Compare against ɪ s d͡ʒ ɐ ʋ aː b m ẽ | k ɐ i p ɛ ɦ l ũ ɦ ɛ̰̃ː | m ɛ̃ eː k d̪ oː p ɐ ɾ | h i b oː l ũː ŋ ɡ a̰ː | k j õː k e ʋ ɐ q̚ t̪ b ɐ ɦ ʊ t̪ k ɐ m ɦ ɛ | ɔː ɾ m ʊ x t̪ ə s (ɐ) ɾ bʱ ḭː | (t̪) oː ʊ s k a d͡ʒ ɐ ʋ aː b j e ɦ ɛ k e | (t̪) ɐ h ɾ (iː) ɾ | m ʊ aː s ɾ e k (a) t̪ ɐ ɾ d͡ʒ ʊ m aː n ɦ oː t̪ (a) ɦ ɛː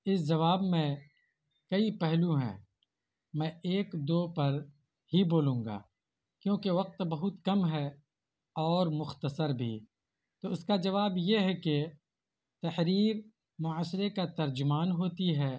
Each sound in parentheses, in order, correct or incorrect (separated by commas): incorrect, correct, correct, correct, correct, incorrect